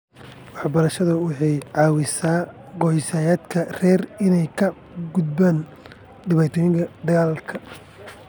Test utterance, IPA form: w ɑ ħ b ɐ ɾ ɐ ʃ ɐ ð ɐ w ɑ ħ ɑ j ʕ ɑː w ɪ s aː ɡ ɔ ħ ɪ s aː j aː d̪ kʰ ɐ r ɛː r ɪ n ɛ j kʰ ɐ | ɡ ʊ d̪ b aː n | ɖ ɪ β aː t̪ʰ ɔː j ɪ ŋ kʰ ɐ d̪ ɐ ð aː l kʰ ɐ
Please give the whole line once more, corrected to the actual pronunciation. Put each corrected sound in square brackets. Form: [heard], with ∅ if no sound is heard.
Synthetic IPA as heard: w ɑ ħ b ɐ ɾ ɐ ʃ ɐ ð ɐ w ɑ ħ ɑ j ʕ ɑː w ɪ s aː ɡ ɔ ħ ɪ s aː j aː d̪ kʰ ɐ r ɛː r ɪ n ɛ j kʰ ɐ | ɡ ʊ d̪ b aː n | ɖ ɪ β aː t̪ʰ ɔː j ɪ ŋ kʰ ɐ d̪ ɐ [ɣ] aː l kʰ ɐ